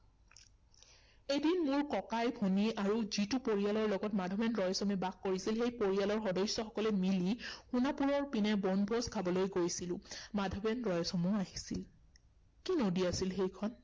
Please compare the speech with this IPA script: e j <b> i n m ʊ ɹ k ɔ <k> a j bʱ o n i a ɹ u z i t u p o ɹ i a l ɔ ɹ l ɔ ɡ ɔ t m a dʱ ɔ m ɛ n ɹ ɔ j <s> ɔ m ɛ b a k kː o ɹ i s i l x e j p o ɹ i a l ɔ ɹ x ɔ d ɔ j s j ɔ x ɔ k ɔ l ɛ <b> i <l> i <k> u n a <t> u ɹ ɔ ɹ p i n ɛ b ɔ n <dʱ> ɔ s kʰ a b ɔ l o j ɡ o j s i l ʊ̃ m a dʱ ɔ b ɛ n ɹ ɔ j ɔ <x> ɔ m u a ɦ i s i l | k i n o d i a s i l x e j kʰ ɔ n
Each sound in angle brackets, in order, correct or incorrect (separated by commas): incorrect, correct, correct, incorrect, correct, incorrect, incorrect, incorrect, incorrect